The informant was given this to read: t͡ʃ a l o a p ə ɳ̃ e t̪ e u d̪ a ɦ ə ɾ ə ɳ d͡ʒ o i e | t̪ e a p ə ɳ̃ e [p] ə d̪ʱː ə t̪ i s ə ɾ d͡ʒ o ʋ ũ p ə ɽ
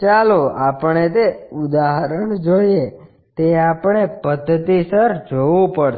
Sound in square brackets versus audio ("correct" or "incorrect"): correct